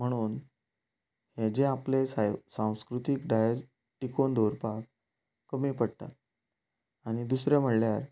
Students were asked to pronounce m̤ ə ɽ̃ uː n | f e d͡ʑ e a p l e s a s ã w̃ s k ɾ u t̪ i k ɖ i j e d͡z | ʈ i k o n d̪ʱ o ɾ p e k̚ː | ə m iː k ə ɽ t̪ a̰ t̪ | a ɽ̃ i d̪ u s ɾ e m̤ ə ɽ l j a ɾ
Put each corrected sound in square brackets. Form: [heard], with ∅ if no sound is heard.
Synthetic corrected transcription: m̤ ə ɽ̃ uː n | [h] e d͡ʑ e a p l e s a s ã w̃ s k ɾ u t̪ i k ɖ [a] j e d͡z | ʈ i k o n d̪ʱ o ɾ p [a] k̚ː | ə m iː [p] ə ɽ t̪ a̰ t̪ | a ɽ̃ i d̪ u s ɾ e m̤ ə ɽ l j a ɾ

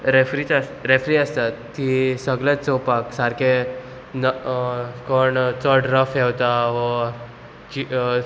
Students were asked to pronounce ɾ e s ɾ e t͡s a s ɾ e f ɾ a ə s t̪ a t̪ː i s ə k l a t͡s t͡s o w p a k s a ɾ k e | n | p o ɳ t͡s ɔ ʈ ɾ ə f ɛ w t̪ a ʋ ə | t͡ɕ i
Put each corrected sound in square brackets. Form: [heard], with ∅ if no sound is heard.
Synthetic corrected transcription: ɾ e [f] ɾ [i] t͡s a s ɾ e f ɾ [i] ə s t̪ a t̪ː i s ə [ɡ] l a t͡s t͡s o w p a k s a ɾ k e | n | [k] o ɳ t͡s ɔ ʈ ɾ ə f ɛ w t̪ a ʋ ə | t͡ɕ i

